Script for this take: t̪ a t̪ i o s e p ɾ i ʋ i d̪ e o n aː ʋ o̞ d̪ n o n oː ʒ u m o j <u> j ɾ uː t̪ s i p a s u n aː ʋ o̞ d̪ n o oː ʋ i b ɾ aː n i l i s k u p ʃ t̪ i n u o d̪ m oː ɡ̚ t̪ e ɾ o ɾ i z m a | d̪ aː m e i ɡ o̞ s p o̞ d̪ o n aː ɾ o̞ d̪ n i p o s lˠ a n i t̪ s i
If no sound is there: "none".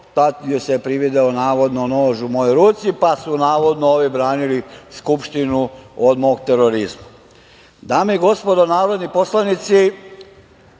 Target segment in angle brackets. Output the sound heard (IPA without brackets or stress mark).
o